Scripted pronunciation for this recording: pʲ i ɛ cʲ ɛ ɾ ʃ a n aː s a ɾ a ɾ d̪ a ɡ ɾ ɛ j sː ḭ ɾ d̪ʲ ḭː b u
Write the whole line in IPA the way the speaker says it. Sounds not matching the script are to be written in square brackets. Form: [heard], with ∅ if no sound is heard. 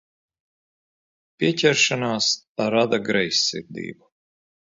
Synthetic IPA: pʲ i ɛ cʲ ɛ ɾ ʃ a n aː s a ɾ a [∅] d̪ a ɡ ɾ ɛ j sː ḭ ɾ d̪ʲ ḭː b u

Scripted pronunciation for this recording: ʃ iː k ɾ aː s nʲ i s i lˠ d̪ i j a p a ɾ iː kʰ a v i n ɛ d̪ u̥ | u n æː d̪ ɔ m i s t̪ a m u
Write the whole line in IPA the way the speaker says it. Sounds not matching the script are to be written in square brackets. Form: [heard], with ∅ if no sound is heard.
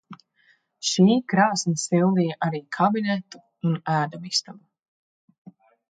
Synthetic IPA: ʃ iː k ɾ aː s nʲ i s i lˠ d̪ i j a [ʔ] a ɾ iː kʰ a [b] i n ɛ [t̪] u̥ | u n æː d̪ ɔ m i s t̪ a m u

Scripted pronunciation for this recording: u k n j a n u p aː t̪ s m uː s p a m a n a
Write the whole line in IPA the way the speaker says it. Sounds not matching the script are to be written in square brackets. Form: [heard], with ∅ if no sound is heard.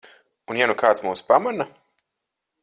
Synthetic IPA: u [∅] n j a n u [k] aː t̪ s m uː s p a m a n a

